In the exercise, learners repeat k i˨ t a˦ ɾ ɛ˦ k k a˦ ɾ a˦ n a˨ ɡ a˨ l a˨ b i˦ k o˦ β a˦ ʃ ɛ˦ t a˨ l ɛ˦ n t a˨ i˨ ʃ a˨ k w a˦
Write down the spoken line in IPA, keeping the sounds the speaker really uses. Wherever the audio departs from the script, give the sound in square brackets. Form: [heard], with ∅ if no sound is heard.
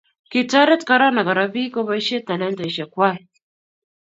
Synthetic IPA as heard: k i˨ t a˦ ɾ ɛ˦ [t] k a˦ ɾ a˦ n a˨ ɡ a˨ [ɾ] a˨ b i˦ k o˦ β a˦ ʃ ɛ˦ t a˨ l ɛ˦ n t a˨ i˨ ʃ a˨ k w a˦